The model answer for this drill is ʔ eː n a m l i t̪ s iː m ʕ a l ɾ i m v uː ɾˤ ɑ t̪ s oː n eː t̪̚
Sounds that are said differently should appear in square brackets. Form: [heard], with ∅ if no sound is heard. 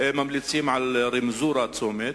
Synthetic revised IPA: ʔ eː [m] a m l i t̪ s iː m ʕ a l ɾ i m [z] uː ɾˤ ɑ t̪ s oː [m] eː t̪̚